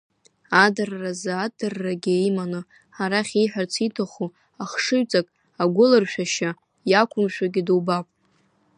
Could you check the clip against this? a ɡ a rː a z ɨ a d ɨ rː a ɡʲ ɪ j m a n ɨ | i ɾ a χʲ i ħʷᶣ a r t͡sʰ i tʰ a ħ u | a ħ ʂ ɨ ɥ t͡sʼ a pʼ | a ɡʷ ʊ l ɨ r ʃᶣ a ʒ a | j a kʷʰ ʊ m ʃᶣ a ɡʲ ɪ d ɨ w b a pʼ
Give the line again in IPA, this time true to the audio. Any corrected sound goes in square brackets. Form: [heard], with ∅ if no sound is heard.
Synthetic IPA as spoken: a [d] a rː a z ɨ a d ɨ rː a ɡʲ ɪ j m a n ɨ | [a] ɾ a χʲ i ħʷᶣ a r t͡sʰ i tʰ a [χ] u | a [χ] ʂ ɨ ɥ t͡sʼ a [kʼ] | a ɡʷ ʊ l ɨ r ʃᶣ a [ʃ] a | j a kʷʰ ʊ m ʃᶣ a ɡʲ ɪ d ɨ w b a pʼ

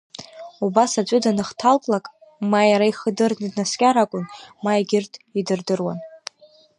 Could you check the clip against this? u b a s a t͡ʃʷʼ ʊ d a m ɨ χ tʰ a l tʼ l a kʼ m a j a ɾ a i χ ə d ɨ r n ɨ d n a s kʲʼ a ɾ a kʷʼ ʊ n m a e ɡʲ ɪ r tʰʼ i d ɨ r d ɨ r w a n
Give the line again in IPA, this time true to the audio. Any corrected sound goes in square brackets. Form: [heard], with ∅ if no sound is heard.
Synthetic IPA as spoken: u b a s a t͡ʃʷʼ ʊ d a [n] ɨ χ tʰ a l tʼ l a kʼ m a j a ɾ a i χ ə d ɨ r n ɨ d n a s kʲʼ a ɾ a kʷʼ ʊ n m a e ɡʲ ɪ r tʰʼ i d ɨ r d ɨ r w a n

